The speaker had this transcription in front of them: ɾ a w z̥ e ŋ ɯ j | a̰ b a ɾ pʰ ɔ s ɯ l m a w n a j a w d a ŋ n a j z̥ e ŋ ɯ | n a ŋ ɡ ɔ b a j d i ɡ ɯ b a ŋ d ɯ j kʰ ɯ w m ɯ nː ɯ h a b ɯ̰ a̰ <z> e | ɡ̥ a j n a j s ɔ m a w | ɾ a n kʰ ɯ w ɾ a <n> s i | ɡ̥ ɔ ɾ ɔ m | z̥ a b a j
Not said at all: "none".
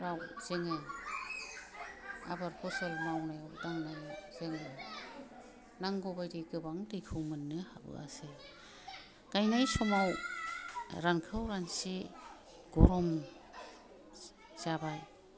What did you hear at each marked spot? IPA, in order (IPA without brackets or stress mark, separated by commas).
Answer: s, n